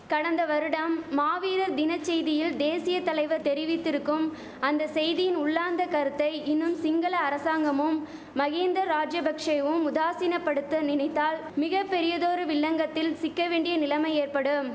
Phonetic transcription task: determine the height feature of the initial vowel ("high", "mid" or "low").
low